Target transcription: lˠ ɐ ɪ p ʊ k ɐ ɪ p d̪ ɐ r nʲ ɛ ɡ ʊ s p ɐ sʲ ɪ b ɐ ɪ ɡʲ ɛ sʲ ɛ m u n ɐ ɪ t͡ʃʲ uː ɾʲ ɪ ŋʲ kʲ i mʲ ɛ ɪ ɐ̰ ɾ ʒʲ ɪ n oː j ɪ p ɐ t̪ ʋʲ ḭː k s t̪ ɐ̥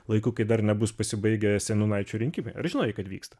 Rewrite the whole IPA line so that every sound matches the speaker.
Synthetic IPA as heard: lˠ ɐ ɪ k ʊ k ɐ ɪ d̪ ɐ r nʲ ɛ b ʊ s p ɐ sʲ ɪ b ɐ ɪ ɡʲ ɛ sʲ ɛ n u n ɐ ɪ t͡ʃʲ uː ɾʲ ɪ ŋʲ kʲ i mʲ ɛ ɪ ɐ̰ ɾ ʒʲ ɪ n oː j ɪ k ɐ t̪ ʋʲ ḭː k s t̪ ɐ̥